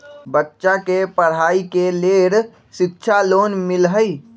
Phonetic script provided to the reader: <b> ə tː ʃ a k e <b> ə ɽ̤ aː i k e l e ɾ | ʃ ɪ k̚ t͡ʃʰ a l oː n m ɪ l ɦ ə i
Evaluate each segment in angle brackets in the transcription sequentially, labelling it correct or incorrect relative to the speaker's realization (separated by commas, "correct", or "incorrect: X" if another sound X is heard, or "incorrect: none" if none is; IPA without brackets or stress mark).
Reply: correct, incorrect: p